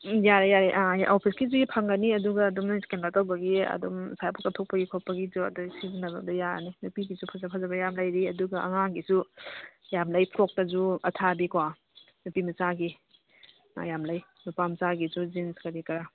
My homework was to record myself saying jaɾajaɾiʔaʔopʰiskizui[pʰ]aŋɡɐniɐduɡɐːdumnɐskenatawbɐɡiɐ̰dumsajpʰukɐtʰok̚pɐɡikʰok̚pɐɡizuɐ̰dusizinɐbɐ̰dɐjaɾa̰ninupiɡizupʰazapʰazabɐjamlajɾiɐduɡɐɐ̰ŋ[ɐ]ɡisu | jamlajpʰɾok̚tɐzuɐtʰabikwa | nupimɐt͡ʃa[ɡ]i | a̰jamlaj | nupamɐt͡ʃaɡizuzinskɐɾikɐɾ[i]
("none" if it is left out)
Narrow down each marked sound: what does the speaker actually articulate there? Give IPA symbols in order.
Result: pʰ, a, ɡ, a

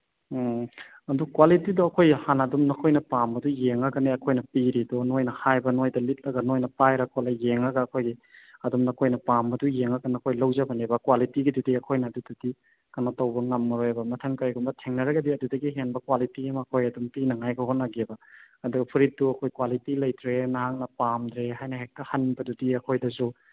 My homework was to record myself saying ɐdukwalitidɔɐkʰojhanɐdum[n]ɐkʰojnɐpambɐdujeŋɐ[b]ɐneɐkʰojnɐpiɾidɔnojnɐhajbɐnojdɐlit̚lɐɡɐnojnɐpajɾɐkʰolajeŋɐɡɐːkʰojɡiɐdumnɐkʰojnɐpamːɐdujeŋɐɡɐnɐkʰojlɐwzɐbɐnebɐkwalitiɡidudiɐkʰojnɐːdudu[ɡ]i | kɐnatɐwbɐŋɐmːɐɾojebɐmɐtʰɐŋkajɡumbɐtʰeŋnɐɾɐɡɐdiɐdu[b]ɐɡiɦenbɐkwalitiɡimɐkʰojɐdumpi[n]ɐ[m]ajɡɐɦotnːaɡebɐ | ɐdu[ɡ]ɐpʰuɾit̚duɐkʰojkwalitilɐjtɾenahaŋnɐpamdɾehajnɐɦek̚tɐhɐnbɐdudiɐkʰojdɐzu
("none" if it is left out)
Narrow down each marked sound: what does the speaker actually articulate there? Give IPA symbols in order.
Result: n, ɡ, d, d, n, ŋ, ɡ

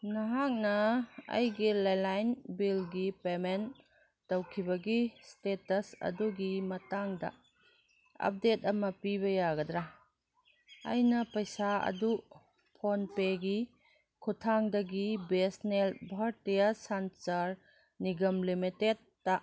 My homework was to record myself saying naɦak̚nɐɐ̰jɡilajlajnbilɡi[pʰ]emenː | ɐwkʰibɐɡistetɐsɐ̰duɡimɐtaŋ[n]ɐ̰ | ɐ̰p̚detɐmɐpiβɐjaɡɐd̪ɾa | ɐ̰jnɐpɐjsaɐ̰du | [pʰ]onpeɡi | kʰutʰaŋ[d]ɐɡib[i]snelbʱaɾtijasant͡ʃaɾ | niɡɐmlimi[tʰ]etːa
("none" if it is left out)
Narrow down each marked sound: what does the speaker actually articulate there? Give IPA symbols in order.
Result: p, d, pʰ, d, e, t

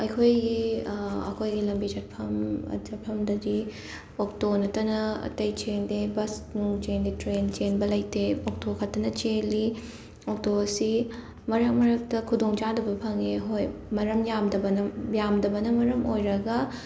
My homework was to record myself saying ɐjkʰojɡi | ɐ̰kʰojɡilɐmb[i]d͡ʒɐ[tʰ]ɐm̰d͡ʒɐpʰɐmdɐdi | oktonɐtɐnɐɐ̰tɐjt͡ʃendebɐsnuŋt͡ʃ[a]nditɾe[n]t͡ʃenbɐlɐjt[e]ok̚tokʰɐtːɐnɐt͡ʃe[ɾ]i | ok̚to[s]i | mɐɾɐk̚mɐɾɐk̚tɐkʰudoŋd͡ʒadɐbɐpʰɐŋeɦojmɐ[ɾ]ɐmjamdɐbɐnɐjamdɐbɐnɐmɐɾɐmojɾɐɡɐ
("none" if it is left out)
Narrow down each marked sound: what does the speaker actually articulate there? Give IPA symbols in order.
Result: i, pʰ, e, n, e, l, s, ɾ

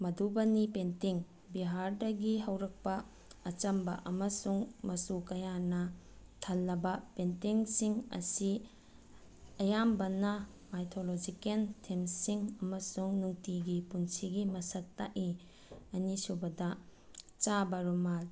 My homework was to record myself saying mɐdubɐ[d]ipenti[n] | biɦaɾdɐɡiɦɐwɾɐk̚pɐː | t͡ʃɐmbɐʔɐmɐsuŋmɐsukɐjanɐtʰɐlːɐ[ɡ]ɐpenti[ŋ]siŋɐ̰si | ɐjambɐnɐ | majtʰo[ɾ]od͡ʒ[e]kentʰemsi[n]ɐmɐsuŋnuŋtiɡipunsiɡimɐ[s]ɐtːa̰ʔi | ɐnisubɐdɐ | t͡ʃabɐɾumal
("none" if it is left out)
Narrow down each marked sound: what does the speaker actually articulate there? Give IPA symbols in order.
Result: n, ŋ, b, ŋ, l, i, ŋ, s

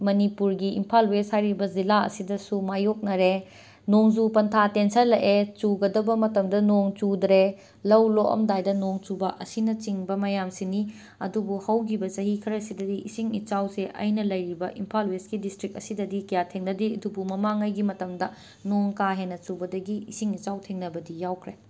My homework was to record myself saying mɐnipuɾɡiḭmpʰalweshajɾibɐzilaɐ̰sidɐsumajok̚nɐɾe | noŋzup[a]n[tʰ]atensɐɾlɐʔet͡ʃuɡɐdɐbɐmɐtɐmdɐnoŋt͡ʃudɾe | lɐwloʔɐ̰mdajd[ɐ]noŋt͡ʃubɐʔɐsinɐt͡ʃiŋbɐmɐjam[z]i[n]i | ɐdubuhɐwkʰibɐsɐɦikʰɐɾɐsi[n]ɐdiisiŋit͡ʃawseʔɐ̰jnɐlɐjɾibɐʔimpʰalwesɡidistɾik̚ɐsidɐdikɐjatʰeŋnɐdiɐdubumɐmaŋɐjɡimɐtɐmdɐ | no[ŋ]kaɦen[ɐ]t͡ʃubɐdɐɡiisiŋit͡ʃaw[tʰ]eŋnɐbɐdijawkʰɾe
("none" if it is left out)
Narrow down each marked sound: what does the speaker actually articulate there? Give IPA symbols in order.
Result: ɐ, tʰ, ɐ, s, n, d, ŋ, ɐ, tʰ

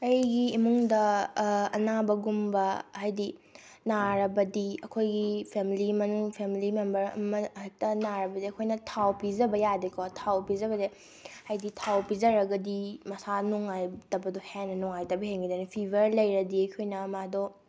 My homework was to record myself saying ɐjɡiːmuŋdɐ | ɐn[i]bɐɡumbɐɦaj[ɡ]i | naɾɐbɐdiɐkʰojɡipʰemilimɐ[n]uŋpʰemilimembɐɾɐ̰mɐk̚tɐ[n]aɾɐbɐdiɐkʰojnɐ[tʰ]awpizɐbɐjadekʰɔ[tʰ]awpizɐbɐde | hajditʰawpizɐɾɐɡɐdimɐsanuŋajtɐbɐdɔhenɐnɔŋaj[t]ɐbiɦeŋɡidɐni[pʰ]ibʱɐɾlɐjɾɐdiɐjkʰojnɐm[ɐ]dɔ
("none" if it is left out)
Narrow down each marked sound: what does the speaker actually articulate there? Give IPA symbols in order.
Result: a, d, n, n, tʰ, tʰ, t, pʰ, a

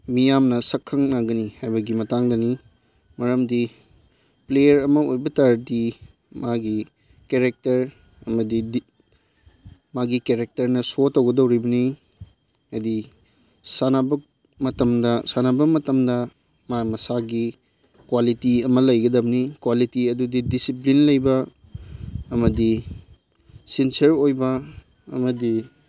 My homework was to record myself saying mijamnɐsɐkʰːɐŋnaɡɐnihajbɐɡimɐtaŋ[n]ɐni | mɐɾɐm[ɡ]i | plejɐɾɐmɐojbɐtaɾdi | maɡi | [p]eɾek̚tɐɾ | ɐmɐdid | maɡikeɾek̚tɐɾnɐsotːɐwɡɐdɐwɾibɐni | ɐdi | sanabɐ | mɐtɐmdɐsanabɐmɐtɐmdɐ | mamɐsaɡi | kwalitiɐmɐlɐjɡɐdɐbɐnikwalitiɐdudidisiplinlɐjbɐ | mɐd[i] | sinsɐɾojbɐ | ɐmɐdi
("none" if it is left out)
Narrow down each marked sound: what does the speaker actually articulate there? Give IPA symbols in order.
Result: d, d, k, i

